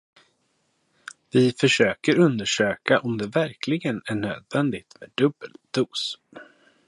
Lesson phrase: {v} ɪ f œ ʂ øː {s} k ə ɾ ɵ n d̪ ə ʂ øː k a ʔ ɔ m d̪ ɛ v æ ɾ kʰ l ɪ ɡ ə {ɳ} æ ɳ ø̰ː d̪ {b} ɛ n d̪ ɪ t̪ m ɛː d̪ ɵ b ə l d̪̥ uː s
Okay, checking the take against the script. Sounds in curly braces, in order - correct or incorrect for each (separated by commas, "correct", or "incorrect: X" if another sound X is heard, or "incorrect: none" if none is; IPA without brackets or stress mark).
correct, incorrect: none, incorrect: n, incorrect: v